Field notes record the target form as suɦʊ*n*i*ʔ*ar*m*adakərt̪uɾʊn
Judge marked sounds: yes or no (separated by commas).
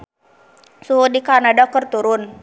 no, no, no